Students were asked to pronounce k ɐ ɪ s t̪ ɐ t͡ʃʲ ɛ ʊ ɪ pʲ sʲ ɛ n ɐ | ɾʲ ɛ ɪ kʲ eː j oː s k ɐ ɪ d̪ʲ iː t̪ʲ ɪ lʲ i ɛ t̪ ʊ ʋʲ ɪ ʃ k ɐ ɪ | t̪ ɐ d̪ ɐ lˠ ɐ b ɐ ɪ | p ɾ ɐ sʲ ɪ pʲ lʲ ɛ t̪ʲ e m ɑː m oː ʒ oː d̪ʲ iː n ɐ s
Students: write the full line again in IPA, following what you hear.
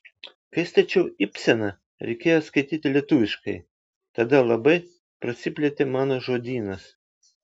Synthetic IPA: k ɐ ɪ s t̪ ɐ t͡ʃʲ ɛ ʊ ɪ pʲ sʲ ɛ n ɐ | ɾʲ ɛ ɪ kʲ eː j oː s k ɐ ɪ t̪ʲ iː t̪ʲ ɪ lʲ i ɛ t̪ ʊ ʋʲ ɪ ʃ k ɐ ɪ | t̪ ɐ d̪ ɐ lˠ ɐ b ɐ ɪ | p ɾ ɐ sʲ ɪ pʲ lʲ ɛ t̪ʲ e m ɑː n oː ʒ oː d̪ʲ iː n ɐ s